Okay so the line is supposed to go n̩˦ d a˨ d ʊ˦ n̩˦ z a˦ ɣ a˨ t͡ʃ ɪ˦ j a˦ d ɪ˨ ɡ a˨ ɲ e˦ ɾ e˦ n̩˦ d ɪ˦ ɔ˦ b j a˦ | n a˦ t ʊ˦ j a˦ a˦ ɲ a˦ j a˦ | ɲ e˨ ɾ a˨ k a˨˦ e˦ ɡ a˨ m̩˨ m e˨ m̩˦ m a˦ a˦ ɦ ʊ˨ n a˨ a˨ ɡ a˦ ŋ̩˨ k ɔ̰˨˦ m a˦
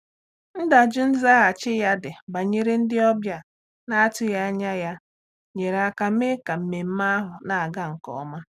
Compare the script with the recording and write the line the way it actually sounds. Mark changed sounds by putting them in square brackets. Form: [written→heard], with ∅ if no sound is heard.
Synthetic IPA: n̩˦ d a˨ [d→d͡ʒ] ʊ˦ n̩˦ z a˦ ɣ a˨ t͡ʃ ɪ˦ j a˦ d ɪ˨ [ɡ→b] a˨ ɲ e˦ ɾ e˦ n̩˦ d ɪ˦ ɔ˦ b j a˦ | n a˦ t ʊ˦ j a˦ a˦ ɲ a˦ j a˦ | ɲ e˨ ɾ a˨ k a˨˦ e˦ [ɡ→k] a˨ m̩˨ m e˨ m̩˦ m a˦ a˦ ɦ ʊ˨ n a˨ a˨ ɡ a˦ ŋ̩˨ k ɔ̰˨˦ m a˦